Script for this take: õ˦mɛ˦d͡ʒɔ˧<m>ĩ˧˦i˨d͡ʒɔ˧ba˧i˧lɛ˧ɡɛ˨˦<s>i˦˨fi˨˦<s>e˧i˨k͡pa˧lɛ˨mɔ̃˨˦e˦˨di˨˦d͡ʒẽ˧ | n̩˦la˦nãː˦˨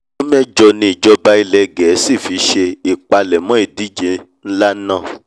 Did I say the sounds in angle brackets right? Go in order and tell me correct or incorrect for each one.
incorrect, correct, incorrect

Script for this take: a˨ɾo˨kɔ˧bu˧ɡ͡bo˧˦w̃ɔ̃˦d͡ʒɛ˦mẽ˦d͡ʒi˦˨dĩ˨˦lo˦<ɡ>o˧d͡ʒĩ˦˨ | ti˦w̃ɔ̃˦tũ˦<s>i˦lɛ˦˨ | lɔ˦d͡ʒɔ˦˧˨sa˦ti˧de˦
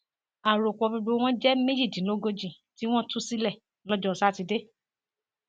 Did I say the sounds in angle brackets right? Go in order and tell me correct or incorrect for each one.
correct, correct

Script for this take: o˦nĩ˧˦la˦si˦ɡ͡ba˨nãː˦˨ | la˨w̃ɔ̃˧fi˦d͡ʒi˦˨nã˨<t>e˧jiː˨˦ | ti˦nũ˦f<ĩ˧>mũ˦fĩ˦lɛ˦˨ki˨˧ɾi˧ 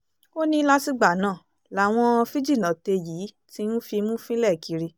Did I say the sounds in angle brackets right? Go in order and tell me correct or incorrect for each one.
correct, incorrect

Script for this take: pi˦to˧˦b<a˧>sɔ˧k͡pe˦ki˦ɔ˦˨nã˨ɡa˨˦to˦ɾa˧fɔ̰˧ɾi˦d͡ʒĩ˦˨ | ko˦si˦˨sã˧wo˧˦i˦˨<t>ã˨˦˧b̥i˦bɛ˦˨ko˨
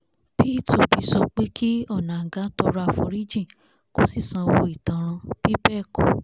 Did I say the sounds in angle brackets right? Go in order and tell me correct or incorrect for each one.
incorrect, correct

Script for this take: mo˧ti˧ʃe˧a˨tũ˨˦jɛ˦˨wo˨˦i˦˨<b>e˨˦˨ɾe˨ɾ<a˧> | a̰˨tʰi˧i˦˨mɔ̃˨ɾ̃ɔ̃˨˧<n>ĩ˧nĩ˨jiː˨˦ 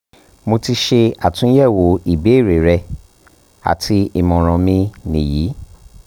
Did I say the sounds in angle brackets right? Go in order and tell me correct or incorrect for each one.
correct, incorrect, incorrect

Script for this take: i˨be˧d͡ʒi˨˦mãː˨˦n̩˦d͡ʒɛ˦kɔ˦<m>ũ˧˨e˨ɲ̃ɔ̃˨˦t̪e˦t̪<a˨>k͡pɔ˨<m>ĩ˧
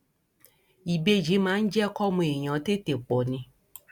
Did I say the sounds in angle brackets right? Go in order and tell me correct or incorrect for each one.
correct, incorrect, incorrect

